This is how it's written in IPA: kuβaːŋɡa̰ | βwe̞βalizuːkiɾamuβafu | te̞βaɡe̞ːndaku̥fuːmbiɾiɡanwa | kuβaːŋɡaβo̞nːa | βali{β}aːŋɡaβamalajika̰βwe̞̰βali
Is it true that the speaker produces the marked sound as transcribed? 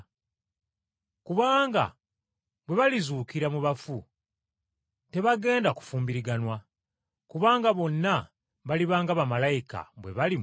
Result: yes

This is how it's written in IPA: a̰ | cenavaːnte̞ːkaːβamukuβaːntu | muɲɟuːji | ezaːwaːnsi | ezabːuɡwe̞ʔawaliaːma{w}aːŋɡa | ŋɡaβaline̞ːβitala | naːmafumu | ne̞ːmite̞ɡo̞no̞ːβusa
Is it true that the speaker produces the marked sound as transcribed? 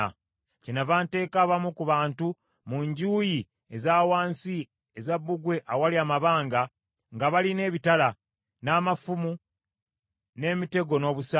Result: no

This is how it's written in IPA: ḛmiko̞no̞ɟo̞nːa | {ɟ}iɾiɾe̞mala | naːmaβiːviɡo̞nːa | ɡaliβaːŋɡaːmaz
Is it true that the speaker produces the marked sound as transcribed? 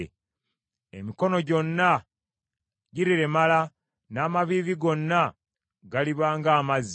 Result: yes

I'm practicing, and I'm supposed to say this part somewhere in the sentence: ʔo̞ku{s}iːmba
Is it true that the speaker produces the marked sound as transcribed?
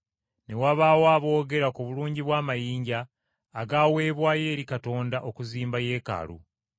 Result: no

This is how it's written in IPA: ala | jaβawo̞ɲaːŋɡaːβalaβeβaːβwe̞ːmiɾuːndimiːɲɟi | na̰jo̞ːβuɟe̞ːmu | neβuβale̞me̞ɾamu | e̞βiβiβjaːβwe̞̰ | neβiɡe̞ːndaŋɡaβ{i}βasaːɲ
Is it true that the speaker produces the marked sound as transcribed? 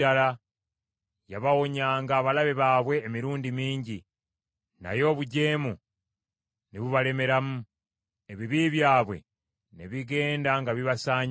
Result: yes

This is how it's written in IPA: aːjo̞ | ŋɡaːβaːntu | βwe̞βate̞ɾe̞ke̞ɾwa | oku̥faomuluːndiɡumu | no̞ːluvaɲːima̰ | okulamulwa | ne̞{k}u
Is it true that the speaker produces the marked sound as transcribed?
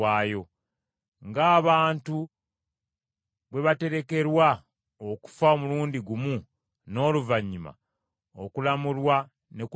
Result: yes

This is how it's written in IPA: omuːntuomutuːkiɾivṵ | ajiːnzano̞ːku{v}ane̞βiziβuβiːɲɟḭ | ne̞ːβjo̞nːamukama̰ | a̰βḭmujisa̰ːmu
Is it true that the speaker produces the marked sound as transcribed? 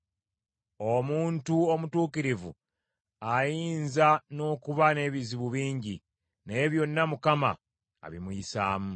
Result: no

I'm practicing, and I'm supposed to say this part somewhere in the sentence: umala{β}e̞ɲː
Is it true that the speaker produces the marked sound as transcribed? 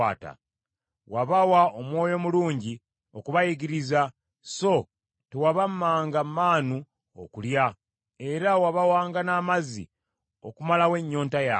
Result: no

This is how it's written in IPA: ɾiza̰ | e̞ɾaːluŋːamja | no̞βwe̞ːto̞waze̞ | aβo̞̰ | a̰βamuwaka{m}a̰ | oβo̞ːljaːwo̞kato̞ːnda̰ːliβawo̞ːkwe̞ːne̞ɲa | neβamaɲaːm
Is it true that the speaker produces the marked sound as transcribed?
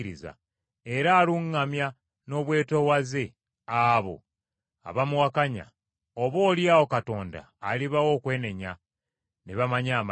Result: no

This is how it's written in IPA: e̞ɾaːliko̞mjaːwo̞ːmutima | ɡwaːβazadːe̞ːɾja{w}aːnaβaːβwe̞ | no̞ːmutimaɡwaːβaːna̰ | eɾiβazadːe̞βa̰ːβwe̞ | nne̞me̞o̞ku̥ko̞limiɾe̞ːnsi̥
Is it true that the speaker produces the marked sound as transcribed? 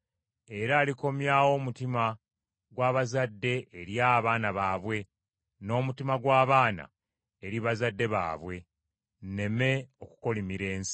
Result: no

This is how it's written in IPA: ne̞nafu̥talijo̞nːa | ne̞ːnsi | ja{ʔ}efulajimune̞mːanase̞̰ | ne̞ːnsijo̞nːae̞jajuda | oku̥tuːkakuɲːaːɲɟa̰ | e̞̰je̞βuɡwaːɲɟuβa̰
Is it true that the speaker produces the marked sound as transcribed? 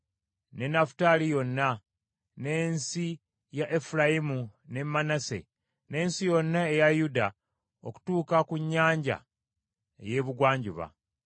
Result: yes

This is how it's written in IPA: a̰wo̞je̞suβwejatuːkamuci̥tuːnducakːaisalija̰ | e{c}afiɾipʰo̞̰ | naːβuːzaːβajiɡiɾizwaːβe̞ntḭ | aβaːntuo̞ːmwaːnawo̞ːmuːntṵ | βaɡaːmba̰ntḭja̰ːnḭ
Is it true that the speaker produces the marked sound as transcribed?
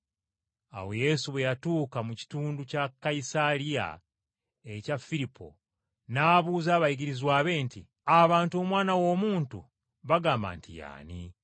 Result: yes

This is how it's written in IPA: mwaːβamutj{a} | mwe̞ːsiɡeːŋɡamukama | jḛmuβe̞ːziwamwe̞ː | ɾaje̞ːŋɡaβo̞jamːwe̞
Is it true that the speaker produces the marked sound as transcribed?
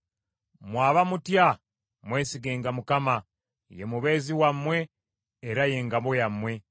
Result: yes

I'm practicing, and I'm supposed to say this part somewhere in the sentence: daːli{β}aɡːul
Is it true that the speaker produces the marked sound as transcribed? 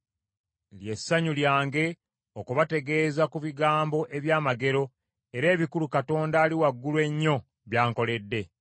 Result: no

